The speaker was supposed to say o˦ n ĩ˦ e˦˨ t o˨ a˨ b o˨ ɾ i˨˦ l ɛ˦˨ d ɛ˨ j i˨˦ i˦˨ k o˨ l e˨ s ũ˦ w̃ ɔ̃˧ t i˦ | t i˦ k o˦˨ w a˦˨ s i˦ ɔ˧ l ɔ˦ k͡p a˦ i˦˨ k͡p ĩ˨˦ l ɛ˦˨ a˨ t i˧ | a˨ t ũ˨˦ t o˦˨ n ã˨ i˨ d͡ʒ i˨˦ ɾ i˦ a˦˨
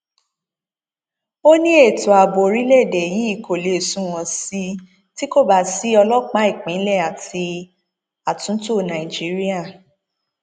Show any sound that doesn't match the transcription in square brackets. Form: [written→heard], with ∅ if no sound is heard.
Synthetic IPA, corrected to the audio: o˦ n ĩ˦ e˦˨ t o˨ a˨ b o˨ ɾ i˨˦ l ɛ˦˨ d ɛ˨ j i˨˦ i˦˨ k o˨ l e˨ s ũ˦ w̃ ɔ̃˧ [t→s] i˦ | t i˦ k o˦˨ [w→b] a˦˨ s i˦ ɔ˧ l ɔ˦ k͡p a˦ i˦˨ k͡p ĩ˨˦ l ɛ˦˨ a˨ t i˧ | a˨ t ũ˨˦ t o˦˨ n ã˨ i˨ d͡ʒ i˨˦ ɾ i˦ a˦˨